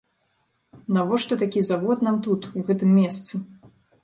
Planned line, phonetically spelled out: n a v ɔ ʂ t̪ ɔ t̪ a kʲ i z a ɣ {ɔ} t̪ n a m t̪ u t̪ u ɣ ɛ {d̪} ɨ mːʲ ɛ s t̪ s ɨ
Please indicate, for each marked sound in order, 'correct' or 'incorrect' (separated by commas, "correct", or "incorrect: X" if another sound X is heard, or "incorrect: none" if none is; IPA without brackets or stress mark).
correct, incorrect: t̪